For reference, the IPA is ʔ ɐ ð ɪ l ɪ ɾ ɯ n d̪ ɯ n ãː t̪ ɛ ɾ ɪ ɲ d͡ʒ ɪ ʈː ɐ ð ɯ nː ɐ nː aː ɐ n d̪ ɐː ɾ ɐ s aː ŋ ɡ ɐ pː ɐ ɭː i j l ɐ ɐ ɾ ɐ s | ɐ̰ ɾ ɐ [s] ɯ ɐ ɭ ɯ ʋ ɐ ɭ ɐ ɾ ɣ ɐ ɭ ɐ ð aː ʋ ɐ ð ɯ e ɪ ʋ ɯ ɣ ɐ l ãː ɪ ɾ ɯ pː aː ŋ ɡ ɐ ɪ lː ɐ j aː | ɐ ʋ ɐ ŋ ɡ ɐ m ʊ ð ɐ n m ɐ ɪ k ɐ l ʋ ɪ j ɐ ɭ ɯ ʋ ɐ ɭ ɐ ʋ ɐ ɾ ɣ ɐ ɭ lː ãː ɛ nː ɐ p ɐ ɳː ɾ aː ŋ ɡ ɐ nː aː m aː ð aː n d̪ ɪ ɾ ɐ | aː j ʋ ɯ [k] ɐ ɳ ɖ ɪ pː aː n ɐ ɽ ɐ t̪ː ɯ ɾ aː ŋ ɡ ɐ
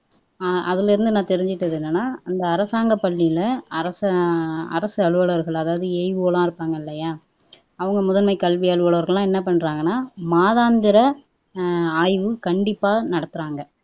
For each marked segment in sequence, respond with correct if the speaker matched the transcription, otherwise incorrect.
correct, correct

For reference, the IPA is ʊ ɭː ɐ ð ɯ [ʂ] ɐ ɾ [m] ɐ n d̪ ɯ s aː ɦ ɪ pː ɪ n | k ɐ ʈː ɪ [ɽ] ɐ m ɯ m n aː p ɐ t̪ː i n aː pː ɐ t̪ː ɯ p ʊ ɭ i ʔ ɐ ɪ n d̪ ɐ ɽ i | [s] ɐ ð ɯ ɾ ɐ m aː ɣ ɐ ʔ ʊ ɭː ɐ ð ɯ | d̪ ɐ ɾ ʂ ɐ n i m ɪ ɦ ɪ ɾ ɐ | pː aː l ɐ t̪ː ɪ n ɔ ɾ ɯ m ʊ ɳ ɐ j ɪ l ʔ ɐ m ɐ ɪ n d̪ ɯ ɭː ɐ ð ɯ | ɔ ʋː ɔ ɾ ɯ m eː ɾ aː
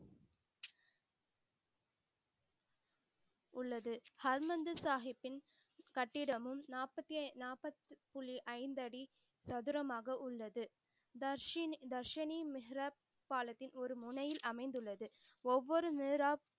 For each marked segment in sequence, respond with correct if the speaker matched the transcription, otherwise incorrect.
incorrect, correct, correct, correct

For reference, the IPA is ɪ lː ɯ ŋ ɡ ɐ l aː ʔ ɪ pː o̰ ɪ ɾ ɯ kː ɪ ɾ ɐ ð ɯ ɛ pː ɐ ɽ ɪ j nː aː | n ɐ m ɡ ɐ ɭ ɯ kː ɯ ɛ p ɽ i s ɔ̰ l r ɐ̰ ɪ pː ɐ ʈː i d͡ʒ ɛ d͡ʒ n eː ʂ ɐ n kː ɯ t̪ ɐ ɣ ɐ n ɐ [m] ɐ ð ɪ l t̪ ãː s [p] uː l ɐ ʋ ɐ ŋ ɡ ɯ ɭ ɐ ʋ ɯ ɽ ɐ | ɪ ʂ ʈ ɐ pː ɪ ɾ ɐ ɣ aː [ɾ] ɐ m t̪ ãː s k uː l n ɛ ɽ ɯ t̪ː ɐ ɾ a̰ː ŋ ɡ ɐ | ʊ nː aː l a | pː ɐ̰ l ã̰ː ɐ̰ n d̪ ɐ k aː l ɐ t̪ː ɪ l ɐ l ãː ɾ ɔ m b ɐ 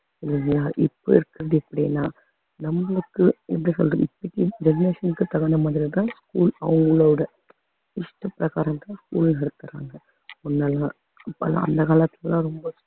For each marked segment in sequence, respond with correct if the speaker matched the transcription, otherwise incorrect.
correct, incorrect, correct

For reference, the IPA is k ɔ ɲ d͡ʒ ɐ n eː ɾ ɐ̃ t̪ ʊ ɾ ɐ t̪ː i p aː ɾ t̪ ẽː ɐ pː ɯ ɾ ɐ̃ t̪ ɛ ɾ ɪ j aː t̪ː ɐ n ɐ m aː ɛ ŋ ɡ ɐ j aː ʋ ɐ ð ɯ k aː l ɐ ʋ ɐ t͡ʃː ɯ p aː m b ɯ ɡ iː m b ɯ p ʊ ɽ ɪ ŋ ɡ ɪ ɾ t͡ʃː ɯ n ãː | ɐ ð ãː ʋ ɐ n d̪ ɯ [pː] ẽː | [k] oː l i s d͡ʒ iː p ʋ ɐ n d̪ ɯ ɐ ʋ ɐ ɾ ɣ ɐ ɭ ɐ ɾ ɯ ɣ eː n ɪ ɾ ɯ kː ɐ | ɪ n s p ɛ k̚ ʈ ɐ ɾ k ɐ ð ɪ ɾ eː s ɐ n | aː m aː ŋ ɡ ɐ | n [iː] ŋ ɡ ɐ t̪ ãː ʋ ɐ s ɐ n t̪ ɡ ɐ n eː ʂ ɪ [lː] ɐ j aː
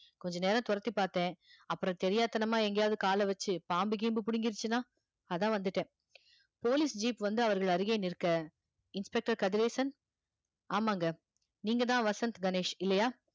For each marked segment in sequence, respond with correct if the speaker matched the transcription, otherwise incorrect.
incorrect, incorrect, correct, correct

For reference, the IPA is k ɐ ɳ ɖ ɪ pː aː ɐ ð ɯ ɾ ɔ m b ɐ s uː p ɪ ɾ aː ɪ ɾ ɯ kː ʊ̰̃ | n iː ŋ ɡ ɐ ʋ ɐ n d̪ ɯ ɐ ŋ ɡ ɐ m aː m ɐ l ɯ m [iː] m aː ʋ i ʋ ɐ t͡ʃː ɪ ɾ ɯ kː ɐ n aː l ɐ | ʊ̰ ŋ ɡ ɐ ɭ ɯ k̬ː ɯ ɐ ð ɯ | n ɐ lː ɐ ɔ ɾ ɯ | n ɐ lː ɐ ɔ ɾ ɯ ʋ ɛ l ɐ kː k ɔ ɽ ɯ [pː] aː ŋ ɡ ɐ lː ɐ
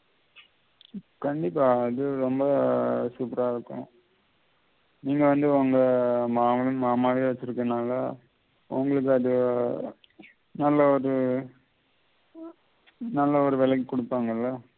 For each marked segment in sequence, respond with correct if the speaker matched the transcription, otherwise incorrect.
incorrect, correct

